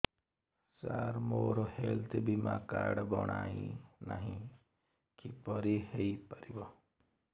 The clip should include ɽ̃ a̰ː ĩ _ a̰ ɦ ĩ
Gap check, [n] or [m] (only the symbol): n